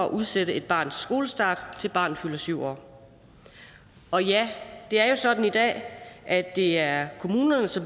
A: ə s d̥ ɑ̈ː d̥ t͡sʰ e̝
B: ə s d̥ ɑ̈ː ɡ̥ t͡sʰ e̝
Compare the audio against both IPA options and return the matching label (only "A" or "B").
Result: A